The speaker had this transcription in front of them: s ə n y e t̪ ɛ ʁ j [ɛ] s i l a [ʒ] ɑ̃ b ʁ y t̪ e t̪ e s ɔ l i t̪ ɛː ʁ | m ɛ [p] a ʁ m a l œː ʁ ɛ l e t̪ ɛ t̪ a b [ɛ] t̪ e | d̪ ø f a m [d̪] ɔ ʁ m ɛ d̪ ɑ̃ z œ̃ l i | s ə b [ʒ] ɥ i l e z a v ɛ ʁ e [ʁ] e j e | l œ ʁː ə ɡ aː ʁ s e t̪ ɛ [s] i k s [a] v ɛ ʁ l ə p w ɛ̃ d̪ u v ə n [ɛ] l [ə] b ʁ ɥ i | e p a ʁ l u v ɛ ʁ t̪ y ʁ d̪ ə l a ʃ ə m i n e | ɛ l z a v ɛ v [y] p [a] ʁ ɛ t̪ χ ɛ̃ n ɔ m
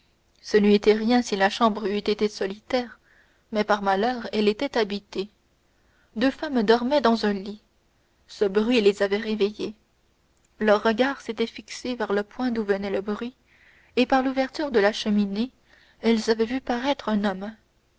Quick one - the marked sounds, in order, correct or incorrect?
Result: incorrect: ɛ̃, incorrect: ʃ, correct, incorrect: i, correct, incorrect: ʁ, incorrect: v, incorrect: f, incorrect: e, correct, correct, correct, correct

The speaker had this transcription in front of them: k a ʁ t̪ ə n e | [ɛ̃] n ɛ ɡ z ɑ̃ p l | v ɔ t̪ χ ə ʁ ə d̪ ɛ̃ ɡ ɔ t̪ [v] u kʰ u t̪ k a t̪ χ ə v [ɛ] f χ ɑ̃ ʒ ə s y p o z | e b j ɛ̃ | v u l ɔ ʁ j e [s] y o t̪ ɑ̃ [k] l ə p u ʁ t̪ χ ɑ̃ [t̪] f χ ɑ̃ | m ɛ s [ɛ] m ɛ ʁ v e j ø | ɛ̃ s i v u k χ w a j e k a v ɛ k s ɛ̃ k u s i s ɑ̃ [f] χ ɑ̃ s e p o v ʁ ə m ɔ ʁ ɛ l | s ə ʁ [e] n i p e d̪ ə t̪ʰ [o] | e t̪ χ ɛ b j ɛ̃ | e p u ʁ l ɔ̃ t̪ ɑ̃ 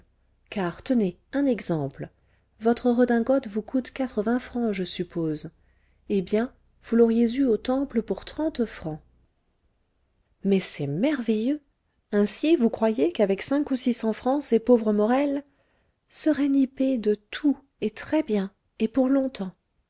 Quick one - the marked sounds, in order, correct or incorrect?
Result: correct, correct, incorrect: ɛ̃, incorrect: z, incorrect: p, correct, correct, correct, incorrect: ɛ, incorrect: u

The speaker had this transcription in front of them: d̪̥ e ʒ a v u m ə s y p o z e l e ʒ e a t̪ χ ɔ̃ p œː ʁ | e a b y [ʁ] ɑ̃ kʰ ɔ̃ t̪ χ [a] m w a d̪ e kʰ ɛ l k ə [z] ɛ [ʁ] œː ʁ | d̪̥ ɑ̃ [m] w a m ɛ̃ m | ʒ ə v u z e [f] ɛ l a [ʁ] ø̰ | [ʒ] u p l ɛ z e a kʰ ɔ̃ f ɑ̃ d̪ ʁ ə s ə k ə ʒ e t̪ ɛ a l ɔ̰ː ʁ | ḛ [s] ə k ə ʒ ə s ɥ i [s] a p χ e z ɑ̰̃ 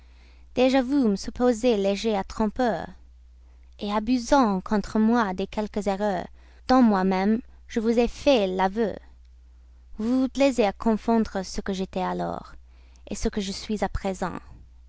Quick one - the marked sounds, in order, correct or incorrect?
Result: incorrect: z, incorrect: ə, correct, correct, correct, correct, incorrect: v, incorrect: v, correct, incorrect: z

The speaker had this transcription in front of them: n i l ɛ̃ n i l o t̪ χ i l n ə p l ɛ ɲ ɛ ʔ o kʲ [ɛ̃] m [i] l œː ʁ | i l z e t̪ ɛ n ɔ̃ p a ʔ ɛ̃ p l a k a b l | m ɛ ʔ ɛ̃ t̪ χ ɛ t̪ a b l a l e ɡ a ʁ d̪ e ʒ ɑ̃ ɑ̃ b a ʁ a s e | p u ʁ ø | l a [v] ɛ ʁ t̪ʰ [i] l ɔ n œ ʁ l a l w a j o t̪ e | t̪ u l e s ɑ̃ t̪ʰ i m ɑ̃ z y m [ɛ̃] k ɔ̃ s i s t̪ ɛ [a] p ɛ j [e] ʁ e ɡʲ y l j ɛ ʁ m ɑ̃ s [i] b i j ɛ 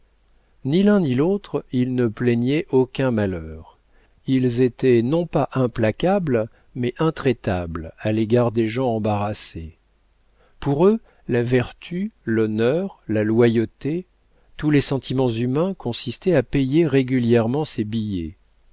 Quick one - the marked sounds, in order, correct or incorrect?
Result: correct, incorrect: a, correct, incorrect: y, correct, correct, correct, incorrect: e

